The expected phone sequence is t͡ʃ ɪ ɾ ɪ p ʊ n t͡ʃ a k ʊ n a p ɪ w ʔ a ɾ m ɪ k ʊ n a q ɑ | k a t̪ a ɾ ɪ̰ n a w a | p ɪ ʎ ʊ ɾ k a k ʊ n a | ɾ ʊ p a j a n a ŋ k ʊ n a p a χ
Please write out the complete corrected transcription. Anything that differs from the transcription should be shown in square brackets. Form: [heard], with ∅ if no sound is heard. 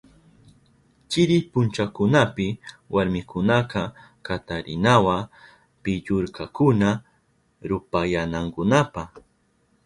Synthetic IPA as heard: t͡ʃ ɪ ɾ ɪ p ʊ n t͡ʃ a k ʊ n a p ɪ w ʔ a ɾ m ɪ k ʊ n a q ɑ | k a t̪ a ɾ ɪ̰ n a w a | p ɪ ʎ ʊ ɾ k a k ʊ n a | ɾ ʊ p a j a n a ŋ k ʊ n a p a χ